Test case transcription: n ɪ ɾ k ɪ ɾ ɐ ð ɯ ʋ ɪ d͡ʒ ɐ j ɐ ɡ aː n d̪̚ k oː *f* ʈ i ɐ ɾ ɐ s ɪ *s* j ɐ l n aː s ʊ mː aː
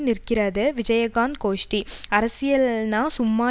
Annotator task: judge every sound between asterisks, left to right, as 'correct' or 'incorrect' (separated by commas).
incorrect, incorrect